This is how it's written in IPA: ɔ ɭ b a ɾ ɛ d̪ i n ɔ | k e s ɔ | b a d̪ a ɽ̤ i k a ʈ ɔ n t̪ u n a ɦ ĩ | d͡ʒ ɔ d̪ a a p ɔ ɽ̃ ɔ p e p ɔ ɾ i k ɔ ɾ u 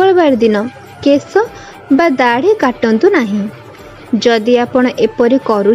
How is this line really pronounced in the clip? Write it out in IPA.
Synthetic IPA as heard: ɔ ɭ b a ɾ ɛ d̪ i n ɔ | k e s ɔ | b a d̪ a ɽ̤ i k a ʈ ɔ n t̪ u n a ɦ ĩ | d͡ʒ ɔ d̪ i a p ɔ ɽ̃ ɔ ʔ e p ɔ ɾ i k ɔ ɾ u